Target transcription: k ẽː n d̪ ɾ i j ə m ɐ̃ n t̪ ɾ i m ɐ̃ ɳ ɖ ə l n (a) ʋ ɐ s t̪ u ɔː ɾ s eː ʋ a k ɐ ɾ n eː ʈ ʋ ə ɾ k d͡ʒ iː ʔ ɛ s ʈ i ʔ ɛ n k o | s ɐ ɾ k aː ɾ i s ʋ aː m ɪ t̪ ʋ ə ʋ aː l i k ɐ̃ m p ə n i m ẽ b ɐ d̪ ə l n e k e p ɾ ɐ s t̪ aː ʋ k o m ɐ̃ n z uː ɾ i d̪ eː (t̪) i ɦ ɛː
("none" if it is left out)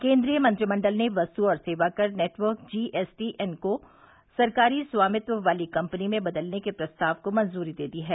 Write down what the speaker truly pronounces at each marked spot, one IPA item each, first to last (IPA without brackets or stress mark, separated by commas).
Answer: e, d̪